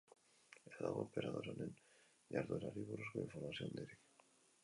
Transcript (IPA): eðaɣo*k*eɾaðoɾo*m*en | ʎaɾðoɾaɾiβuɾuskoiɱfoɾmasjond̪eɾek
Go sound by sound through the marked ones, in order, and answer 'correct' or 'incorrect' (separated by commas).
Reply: incorrect, incorrect